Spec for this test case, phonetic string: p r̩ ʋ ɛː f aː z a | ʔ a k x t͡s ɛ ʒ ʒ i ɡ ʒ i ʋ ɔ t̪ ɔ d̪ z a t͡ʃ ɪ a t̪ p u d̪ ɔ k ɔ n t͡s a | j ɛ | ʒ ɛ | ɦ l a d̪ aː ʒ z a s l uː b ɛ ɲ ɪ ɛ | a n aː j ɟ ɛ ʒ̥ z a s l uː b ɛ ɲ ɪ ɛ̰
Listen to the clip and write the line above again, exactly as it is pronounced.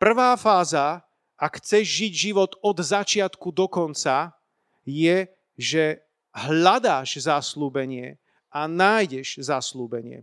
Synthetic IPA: p r̩ ʋ aː f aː z a | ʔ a k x t͡s ɛ ʒ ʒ i ɟ ʒ i ʋ ɔ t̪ ɔ d̪ z a t͡ʃ ɪ a t̪ k u d̪ ɔ k ɔ n t͡s a | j ɛ | ʒ ɛ | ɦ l a d̪ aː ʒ z a s l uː b ɛ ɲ ɪ ɛ | a n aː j ɟ ɛ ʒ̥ z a s l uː b ɛ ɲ ɪ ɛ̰